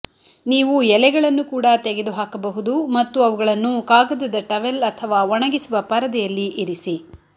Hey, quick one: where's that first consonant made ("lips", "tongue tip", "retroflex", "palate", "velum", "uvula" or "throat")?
tongue tip